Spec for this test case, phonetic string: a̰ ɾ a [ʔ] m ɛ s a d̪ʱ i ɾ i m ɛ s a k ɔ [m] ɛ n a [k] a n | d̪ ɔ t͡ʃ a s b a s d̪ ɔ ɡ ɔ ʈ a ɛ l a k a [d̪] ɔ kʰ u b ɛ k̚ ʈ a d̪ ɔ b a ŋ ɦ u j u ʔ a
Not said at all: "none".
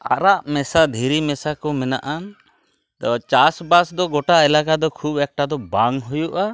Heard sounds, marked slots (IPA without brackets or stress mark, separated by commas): ʔ, m, ʔ, d̪